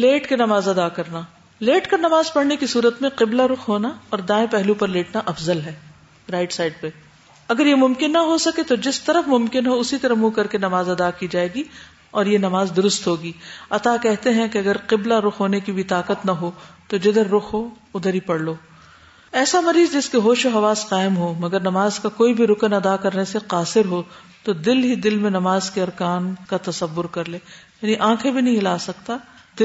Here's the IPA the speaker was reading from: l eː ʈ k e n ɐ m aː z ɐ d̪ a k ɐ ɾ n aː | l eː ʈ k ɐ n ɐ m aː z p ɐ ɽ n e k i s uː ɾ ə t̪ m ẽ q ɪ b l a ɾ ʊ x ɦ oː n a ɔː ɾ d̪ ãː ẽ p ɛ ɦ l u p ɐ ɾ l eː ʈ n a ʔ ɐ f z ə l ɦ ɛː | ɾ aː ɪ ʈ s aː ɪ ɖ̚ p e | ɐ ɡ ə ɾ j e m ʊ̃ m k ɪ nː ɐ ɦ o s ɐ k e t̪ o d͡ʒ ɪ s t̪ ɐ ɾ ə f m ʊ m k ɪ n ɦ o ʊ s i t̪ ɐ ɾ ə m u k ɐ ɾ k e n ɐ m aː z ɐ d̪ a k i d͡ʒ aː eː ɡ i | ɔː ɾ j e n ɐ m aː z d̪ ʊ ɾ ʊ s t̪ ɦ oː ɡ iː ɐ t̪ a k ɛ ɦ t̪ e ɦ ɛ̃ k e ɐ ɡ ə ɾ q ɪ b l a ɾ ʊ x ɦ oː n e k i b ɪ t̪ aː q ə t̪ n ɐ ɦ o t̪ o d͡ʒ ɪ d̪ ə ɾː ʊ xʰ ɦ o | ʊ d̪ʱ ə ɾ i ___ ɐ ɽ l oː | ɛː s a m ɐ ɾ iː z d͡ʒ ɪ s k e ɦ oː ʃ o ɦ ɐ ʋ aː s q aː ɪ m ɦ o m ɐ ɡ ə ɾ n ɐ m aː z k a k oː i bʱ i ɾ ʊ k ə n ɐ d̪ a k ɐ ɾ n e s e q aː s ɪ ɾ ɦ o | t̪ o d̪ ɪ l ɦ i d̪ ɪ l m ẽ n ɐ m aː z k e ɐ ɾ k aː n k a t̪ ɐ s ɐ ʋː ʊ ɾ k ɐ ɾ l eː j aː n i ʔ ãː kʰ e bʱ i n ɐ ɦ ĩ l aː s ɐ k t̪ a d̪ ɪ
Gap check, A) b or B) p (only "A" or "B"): B